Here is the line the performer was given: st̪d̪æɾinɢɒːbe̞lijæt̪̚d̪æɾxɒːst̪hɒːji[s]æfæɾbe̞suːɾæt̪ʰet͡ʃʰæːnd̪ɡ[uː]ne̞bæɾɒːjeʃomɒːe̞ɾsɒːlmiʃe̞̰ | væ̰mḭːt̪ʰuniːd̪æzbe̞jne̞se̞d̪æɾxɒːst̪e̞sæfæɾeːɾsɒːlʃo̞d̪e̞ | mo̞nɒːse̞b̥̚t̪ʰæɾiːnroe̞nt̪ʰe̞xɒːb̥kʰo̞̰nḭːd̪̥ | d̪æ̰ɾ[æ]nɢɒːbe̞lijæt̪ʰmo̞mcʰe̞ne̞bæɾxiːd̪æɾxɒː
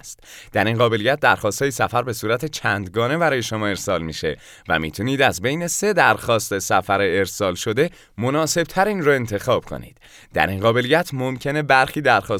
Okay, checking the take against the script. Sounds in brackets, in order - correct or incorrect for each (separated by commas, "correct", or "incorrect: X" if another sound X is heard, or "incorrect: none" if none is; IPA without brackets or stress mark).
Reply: correct, incorrect: ɒː, incorrect: i